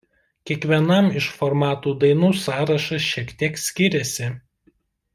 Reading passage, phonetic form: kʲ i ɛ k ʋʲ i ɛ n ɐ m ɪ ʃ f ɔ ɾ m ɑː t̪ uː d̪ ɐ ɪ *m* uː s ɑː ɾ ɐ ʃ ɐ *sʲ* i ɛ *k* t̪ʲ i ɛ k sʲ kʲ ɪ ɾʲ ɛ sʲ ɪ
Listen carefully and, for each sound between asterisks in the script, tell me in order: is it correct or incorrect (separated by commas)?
incorrect, incorrect, correct